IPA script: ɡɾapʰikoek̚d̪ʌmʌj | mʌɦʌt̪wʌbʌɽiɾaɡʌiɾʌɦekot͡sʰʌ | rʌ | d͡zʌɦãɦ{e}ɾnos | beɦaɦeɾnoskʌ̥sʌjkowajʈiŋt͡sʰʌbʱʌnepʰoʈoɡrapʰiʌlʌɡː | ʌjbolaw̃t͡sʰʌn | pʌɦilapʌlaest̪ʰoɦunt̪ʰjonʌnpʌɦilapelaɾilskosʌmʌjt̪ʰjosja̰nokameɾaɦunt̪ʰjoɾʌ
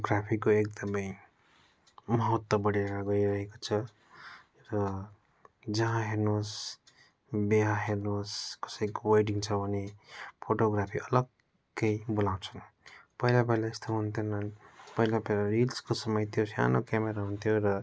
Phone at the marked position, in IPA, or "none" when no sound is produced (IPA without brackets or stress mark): e